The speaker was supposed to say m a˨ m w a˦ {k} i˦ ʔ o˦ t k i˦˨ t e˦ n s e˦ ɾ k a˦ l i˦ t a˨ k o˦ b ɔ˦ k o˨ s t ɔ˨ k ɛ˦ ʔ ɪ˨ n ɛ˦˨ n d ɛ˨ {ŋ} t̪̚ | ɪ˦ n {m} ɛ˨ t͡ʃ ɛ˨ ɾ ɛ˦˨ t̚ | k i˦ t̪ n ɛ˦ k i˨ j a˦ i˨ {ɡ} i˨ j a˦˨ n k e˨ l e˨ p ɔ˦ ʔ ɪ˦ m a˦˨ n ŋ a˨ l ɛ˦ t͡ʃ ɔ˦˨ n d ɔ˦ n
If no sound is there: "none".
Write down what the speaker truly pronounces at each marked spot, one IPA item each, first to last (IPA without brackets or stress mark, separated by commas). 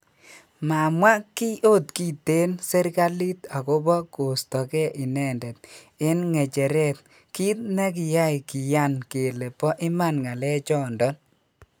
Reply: k, none, ŋ, k